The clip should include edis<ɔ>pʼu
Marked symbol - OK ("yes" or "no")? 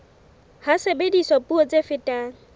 yes